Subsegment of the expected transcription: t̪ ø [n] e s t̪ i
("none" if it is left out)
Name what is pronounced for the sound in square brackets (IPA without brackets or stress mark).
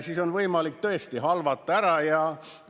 none